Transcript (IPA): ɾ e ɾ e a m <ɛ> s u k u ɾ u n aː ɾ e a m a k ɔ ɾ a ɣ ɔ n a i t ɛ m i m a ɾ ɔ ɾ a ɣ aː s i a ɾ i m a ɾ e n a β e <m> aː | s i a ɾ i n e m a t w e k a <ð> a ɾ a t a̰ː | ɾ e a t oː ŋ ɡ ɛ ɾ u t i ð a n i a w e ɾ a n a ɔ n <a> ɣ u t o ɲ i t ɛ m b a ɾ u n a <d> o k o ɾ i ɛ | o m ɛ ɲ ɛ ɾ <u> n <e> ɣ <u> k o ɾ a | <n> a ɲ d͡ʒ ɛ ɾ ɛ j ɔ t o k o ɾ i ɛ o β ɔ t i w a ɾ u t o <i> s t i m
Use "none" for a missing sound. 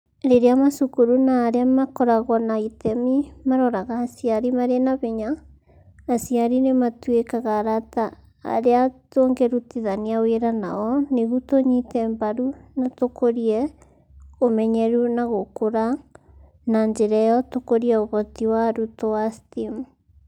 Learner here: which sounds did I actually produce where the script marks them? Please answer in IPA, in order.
a, ɲ, ɣ, e, t, u, a, o, n, a

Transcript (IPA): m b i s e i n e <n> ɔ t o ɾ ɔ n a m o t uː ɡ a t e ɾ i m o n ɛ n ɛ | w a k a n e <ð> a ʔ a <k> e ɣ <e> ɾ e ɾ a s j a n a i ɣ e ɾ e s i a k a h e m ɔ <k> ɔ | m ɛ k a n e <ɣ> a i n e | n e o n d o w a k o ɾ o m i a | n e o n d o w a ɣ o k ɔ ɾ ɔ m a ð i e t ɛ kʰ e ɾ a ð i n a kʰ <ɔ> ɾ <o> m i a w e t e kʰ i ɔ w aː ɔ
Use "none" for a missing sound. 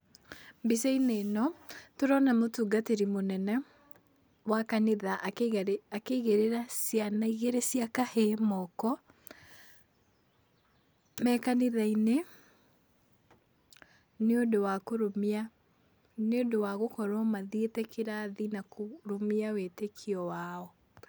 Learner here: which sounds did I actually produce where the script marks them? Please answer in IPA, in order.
n, ð, k, e, k, ð, o, o

